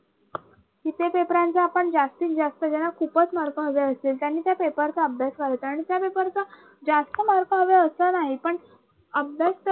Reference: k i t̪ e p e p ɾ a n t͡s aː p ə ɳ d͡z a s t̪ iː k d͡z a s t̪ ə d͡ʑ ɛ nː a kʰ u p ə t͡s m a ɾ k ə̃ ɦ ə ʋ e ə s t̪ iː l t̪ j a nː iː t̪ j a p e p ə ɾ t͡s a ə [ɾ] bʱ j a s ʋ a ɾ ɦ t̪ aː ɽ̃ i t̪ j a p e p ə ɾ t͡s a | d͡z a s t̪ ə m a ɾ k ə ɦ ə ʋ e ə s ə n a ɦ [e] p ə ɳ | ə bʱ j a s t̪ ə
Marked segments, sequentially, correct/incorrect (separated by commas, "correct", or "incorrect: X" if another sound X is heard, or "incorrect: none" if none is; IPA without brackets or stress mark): incorrect: none, incorrect: i